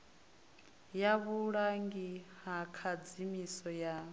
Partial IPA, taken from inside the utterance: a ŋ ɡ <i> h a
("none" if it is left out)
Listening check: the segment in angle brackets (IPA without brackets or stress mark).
i